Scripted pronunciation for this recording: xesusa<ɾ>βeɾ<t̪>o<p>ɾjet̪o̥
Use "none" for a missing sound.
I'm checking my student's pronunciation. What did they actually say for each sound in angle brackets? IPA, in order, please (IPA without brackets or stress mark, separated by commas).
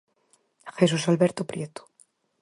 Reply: l, t̪, p